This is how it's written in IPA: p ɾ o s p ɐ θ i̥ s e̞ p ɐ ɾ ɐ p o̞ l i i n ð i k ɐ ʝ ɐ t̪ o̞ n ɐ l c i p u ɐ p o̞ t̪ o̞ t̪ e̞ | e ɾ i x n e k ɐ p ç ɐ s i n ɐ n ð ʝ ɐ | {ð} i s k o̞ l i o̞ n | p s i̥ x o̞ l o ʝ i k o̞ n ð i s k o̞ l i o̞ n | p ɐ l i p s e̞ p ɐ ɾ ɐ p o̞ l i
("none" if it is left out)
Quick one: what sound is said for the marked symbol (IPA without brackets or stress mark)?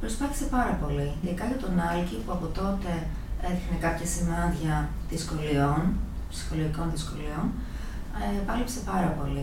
ð